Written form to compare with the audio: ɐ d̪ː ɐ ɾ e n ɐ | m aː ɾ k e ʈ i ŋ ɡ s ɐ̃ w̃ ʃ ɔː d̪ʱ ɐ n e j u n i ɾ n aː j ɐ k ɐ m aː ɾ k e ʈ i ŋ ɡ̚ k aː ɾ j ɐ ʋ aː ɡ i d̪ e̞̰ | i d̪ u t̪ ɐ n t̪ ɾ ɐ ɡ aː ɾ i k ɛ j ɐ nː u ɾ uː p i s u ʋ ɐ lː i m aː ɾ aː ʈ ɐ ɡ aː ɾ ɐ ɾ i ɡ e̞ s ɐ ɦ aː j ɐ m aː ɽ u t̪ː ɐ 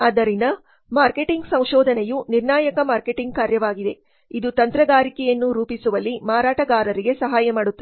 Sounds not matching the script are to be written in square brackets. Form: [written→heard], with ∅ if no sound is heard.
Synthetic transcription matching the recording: ɐ [d̪ː→d̪] ɐ ɾ [e→i] n ɐ | m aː ɾ k e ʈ i ŋ ɡ s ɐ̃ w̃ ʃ ɔː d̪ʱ ɐ n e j u n i ɾ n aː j ɐ k ɐ m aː ɾ k e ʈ i ŋ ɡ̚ k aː ɾ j ɐ ʋ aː ɡ i d̪ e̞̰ | i d̪ u t̪ ɐ n t̪ ɾ ɐ ɡ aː ɾ i k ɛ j ɐ nː u ɾ uː p i s u ʋ ɐ lː i m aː ɾ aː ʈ ɐ ɡ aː ɾ ɐ ɾ i ɡ e̞ s ɐ ɦ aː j ɐ m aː ɽ u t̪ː ɐ